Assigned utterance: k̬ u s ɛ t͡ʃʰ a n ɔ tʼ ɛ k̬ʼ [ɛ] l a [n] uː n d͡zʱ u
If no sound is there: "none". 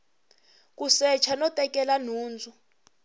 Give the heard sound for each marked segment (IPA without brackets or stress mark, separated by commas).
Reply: ɛ, n